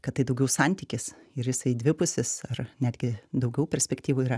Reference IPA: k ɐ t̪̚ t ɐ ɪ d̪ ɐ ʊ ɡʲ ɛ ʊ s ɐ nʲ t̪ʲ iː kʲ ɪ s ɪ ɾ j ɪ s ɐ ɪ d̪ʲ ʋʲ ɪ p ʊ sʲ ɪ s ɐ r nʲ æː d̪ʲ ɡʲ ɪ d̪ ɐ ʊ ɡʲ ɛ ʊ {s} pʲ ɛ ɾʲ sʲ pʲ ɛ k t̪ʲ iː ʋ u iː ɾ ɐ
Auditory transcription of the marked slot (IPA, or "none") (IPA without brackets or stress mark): none